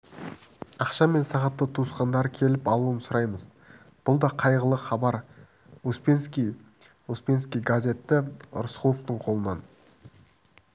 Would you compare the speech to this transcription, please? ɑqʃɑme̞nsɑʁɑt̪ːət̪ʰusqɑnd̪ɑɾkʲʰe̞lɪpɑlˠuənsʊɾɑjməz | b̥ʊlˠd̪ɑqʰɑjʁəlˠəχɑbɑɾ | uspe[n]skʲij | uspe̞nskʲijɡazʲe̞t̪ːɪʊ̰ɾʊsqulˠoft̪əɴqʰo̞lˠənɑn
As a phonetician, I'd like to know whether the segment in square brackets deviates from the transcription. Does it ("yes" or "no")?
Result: no